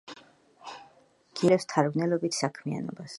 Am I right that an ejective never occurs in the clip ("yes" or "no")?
yes